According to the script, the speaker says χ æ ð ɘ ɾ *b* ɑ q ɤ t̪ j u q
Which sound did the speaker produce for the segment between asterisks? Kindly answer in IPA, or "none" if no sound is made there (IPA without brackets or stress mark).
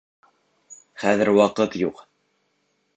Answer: w